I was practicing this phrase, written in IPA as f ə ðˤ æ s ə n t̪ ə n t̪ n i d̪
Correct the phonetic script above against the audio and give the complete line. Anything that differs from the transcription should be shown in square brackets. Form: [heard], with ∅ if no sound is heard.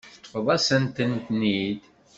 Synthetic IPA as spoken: f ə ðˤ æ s ə n t̪ ə n t̪ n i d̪